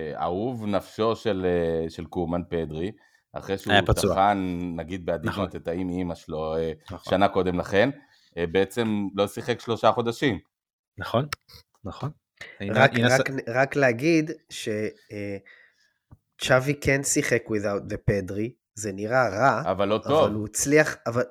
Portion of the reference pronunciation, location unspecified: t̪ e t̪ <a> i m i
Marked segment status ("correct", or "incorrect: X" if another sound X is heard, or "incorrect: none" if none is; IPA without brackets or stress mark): correct